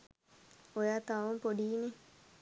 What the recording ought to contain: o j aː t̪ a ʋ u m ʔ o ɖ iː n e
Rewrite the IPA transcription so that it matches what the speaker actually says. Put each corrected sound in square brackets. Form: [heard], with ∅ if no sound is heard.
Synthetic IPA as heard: o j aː t̪ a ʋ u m [p] o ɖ iː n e